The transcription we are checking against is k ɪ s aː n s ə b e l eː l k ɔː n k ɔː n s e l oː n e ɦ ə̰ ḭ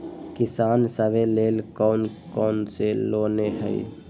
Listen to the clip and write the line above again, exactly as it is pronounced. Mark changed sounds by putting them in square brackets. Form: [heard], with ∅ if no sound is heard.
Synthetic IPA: k ɪ s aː n s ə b e l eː l k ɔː n k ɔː n s e l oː n e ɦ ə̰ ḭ